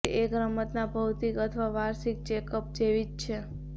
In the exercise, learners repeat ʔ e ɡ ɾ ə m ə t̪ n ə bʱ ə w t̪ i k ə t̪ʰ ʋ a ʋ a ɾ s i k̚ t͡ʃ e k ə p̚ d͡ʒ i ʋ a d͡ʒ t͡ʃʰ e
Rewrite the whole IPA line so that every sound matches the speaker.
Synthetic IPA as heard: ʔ e ɡ ɾ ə m ə t̪ n a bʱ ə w t̪ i k ə t̪ʰ ʋ a ʋ a ɾ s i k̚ t͡ʃ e k ə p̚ d͡ʒ e ʋ i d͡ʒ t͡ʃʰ e

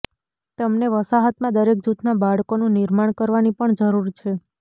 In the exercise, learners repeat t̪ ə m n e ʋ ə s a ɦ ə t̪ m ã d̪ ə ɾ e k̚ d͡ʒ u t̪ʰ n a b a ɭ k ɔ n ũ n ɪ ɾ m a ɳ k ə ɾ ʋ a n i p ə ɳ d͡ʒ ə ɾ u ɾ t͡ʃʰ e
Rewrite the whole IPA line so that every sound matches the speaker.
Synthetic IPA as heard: t̪ ə m n e ʋ ə s a ɦ ə t̪ m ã d̪ ə ɾ e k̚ d͡ʒ u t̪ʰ n a b a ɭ k o n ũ n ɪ ɾ m a ɳ k ə ɾ ʋ a n i p ə ɳ d͡ʒ ə ɾ u ɾ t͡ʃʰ e

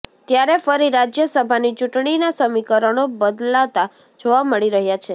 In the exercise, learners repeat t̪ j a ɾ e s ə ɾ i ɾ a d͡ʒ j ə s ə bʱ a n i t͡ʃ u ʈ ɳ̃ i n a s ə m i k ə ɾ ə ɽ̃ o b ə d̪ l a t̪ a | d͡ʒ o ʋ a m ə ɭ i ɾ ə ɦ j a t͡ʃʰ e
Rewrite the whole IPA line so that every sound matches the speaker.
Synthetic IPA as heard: t̪ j a ɾ e f ə ɾ i ɾ a d͡ʒ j ə s ə bʱ a n i t͡ʃ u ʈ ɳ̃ i n a s ə m i k ə ɾ ə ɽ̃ o b ə d̪ l a t̪ a | d͡ʒ o ʋ a m ə ɭ i ɾ ə ɦ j a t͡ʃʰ e

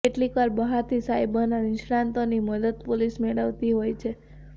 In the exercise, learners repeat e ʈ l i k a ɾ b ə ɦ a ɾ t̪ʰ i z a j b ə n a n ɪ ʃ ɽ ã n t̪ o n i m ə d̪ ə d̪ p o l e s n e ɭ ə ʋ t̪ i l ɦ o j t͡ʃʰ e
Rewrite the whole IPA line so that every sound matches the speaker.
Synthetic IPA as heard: e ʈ l i k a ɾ b ə ɦ a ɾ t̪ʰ i s a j b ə n a n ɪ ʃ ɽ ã n t̪ o n i m ə d̪ ə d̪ p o l i s m e ɭ ə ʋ t̪ i ɦ o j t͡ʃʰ e

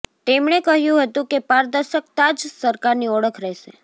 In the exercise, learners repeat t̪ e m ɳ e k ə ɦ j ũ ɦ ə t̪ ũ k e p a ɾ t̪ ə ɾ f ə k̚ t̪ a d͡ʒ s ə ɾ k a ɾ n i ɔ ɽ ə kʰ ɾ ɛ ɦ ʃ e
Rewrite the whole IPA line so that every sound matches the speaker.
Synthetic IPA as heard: t̪ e m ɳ e k ə ɦ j ũ ɦ ə t̪ ũ k e p a ɾ d̪ ə ɾ ʃ ə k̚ t̪ a d͡ʒ s ə ɾ k a ɾ n i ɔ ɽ ə kʰ ɾ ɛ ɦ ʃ e

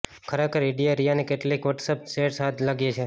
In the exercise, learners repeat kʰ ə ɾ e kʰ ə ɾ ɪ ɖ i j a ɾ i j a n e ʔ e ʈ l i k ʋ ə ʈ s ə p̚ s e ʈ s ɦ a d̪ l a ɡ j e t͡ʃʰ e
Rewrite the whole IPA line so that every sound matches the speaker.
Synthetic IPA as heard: kʰ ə ɾ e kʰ ə ɾ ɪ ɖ i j a ɾ i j a n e k e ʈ l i k ʋ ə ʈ s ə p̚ s e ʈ s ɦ a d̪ l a ɡ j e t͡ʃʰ e

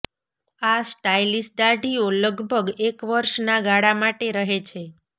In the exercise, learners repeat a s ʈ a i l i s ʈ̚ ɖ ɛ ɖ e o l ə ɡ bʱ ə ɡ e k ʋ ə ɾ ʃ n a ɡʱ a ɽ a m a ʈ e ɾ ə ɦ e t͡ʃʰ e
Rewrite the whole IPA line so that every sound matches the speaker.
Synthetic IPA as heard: a s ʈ a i l i s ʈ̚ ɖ a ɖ i o l ə ɡ bʱ ə ɡ e k ʋ ə ɾ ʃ n a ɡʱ a ɽ a m a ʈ e ɾ ə ɦ e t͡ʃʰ e

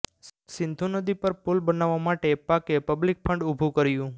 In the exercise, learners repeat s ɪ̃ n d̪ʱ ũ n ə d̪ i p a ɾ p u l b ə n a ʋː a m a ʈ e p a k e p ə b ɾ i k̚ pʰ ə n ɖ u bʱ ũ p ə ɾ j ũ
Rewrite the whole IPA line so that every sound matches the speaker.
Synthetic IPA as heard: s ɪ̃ n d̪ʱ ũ n ə d̪ i p ə ɾ p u l b ə n a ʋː a m a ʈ e p a k e p ə b l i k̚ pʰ ə ɳ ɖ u bʱ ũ k ə ɾ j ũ

